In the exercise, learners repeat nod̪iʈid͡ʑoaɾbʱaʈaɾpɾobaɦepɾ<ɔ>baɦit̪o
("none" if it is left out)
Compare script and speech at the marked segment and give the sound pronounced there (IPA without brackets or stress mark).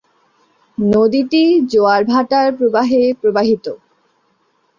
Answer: o